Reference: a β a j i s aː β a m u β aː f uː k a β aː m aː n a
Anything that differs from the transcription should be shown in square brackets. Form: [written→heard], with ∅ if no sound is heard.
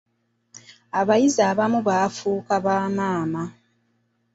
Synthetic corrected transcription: a β a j i [s→z] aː β a m u β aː f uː k a β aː m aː [n→m] a